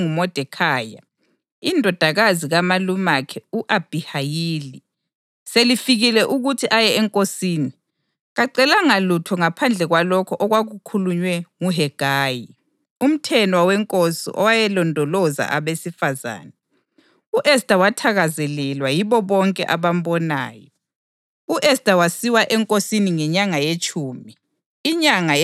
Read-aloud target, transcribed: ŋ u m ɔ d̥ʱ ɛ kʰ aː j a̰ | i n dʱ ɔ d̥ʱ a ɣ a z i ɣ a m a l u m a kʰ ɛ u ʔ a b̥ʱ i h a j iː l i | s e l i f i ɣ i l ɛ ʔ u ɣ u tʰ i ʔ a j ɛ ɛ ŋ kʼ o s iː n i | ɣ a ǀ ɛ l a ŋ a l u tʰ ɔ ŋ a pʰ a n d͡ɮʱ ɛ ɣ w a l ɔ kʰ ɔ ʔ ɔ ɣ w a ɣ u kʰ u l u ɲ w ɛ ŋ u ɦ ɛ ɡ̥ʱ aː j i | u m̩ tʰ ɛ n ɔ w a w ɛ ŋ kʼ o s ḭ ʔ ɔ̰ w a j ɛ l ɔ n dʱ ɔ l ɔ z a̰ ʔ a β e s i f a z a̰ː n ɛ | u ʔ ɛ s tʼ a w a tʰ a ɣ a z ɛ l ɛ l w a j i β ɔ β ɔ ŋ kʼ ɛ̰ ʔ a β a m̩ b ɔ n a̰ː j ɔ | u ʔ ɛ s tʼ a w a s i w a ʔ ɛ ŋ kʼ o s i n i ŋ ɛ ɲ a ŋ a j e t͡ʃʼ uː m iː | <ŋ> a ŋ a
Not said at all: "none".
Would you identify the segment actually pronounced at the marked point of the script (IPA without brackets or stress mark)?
ɲ